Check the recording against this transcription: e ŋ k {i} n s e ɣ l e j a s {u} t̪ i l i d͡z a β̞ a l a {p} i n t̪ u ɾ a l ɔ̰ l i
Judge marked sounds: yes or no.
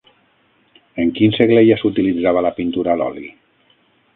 yes, yes, yes

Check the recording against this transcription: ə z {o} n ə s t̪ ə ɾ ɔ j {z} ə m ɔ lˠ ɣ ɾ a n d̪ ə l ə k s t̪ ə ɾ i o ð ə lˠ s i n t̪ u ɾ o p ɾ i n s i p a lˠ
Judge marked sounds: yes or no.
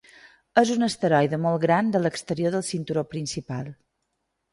no, no

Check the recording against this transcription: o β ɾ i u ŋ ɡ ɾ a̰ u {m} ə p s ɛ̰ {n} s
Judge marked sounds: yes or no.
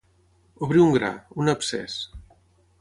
no, no

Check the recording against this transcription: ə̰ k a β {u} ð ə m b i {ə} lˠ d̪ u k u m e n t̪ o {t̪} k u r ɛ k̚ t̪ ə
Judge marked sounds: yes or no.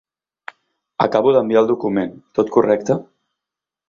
yes, no, yes

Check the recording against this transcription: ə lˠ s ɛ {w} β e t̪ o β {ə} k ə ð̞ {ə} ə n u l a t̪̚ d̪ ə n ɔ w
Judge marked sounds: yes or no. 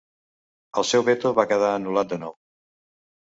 yes, no, no

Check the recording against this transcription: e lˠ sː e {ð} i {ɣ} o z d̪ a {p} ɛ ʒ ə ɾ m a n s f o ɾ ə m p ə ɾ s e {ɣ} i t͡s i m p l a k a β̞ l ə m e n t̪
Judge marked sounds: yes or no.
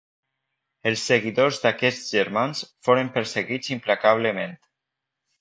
no, no, no, yes

